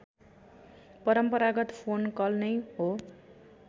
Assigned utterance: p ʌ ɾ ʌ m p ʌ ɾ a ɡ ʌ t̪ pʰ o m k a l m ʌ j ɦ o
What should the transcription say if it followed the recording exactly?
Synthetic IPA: p ʌ ɾ ʌ m p ʌ ɾ a ɡ ʌ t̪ pʰ o n k ʌ l n ʌ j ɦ o